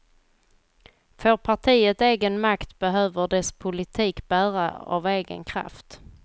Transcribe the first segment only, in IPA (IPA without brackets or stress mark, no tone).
f